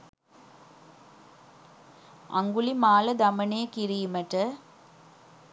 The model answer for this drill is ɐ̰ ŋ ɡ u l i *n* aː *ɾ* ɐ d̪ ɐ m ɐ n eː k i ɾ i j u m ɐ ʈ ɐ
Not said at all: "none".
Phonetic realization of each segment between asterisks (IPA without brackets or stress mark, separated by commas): m, l